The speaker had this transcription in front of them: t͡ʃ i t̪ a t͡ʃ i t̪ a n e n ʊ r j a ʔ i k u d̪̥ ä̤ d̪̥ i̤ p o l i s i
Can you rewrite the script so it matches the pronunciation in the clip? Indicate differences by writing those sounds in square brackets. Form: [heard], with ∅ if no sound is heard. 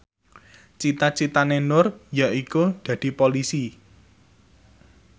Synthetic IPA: t͡ʃ i t̪ a t͡ʃ i t̪ a n e n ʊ r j a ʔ i k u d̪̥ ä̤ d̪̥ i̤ p o l i s i